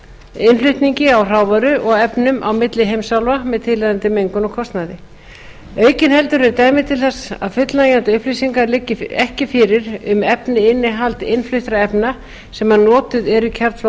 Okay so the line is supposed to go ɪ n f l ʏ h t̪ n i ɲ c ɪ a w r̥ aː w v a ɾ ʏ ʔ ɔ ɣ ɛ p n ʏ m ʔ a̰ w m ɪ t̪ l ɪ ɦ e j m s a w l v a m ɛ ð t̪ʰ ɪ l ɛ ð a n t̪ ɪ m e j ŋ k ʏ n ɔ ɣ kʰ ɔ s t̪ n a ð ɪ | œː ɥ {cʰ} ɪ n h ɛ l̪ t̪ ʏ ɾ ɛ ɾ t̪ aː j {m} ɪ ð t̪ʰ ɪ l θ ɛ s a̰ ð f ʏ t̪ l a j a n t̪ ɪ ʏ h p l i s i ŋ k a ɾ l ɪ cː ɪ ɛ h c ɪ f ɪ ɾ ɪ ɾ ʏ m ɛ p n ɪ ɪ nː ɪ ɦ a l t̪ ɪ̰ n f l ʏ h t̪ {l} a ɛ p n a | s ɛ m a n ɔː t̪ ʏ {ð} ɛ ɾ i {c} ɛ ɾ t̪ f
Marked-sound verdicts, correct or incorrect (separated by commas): incorrect, correct, incorrect, correct, incorrect